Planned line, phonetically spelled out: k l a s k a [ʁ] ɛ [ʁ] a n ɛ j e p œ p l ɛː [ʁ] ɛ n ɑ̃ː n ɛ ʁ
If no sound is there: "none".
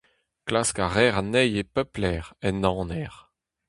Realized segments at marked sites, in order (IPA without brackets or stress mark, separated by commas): ʁ, ʁ, ʁ